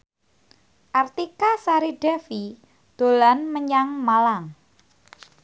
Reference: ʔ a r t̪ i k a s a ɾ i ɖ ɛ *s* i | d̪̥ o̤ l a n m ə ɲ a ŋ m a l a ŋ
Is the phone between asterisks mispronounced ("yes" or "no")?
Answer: yes